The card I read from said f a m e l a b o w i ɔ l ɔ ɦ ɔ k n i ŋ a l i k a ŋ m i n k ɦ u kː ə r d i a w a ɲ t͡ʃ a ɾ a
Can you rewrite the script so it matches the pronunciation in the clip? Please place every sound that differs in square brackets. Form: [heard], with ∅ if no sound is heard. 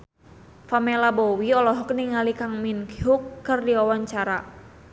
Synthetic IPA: f a m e l a b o w i ɔ l ɔ ɦ ɔ k n i ŋ a l i k a ŋ m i n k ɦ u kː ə r d i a w a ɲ t͡ʃ a ɾ a

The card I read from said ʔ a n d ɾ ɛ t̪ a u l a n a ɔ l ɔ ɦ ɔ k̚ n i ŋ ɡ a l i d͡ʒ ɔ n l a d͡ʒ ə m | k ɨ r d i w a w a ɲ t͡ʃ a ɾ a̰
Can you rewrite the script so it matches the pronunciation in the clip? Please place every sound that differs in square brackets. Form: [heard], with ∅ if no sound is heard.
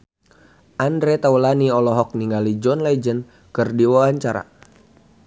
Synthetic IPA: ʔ a n d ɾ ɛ t̪ a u l a n [i] ɔ l ɔ ɦ ɔ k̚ n i ŋ ɡ a l i d͡ʒ ɔ n l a d͡ʒ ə [n] | k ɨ r d i w a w a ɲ t͡ʃ a ɾ a̰

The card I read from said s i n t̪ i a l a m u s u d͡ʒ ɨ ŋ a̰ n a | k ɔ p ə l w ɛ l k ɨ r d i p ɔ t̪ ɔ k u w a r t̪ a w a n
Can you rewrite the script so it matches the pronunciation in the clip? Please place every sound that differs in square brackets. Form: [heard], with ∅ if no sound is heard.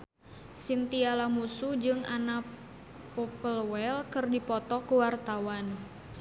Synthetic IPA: s i n t̪ i a l a m u s u d͡ʒ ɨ ŋ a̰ n a | [p] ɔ p ə l w ɛ l k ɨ r d i p ɔ t̪ ɔ k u w a r t̪ a w a n

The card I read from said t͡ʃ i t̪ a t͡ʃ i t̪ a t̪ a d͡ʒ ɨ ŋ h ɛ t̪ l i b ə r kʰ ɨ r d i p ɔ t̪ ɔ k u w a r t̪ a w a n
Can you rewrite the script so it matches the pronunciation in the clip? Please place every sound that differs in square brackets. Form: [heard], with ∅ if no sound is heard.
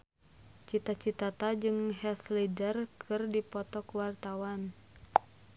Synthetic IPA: t͡ʃ i t̪ a t͡ʃ i t̪ a t̪ a d͡ʒ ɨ ŋ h ɛ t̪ l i [d] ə r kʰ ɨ r d i p ɔ t̪ ɔ k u w a r t̪ a w a n

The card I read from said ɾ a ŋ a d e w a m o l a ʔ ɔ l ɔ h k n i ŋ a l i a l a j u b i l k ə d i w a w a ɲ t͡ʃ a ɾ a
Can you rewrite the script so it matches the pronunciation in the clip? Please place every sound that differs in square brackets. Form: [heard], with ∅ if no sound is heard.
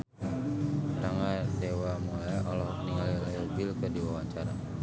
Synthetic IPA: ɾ a ŋ a d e w a m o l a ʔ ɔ l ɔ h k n i ŋ a l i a l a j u b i l k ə d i w a w a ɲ t͡ʃ a ɾ a

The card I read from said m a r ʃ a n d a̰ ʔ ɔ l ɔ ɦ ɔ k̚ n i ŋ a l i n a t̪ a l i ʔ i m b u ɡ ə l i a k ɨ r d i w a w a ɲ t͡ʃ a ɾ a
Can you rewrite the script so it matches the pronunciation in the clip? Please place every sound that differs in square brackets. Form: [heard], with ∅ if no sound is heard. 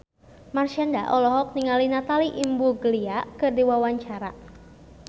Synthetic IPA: m a r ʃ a n d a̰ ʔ ɔ l ɔ ɦ ɔ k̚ n i ŋ a l i n a t̪ a l i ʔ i m b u ɡ ə l i a k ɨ r d i w a w a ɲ t͡ʃ a ɾ a

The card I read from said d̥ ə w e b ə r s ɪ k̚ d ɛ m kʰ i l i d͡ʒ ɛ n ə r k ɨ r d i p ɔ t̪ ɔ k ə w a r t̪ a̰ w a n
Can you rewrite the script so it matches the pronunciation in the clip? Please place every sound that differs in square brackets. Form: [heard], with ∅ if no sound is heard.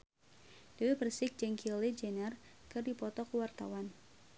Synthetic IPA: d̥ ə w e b ə r s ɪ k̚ [d͡ʒ] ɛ [ŋ] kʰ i l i d͡ʒ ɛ n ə r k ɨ r d i p ɔ t̪ ɔ k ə w a r t̪ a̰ w a n

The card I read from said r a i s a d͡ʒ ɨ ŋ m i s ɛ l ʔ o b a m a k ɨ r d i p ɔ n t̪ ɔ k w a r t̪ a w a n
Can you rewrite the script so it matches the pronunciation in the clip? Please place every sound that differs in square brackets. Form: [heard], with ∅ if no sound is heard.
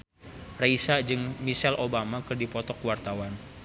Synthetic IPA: r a i s a d͡ʒ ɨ ŋ m i s ɛ l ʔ o b a m a k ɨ r d i p ɔ [∅] t̪ ɔ k w a r t̪ a w a n

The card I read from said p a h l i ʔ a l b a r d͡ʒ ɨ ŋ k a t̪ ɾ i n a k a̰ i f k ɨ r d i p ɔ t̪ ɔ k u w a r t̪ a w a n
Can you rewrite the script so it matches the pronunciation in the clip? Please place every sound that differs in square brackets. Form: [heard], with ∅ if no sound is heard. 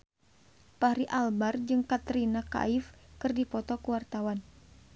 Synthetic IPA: p a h [ɾ] i ʔ a l b a r d͡ʒ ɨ ŋ k a t̪ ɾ i n a k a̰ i f k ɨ r d i p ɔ t̪ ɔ k u w a r t̪ a w a n

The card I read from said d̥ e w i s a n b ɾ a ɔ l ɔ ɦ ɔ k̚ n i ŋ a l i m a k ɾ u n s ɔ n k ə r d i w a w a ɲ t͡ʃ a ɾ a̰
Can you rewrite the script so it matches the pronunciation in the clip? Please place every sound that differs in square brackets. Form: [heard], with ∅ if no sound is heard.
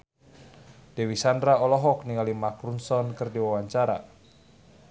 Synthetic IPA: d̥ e w i s a n [d] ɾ a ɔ l ɔ ɦ ɔ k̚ n i ŋ a l i m a k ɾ u n s ɔ n k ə r d i w a w a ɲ t͡ʃ a ɾ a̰

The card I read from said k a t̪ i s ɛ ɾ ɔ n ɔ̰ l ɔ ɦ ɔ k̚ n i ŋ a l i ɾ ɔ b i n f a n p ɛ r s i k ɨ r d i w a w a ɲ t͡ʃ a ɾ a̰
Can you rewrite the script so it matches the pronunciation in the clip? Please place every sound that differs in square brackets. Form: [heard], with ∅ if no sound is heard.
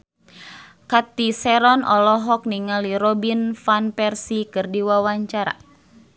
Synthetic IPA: k a t̪ i s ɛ ɾ ɔ n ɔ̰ l ɔ ɦ ɔ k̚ n i ŋ a l i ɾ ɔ b i n f a n p ɛ r s i k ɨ r d i w a w a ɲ t͡ʃ a ɾ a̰

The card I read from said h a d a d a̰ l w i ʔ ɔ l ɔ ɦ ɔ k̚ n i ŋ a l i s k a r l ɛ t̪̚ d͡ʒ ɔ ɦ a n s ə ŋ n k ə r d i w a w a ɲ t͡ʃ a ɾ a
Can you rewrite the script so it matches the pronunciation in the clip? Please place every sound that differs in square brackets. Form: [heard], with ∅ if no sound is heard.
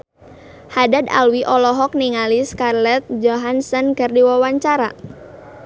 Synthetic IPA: h a d a d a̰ l w i ʔ ɔ l ɔ ɦ ɔ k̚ n i ŋ a l i s k a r l ɛ t̪̚ d͡ʒ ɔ ɦ a n s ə [∅] n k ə r d i w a w a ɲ t͡ʃ a ɾ a

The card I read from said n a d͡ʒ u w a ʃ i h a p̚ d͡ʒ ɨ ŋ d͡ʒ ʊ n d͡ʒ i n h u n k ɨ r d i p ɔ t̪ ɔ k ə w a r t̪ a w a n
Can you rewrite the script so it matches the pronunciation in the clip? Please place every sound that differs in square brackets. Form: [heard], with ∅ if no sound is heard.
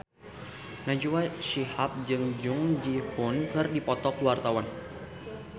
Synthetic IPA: n a d͡ʒ u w a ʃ i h a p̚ d͡ʒ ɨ ŋ d͡ʒ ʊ [ŋ] d͡ʒ i [∅] h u n k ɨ r d i p ɔ t̪ ɔ k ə w a r t̪ a w a n

